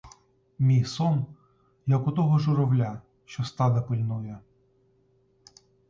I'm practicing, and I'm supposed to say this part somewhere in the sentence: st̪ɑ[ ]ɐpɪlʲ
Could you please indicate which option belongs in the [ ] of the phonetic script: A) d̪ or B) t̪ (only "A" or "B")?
A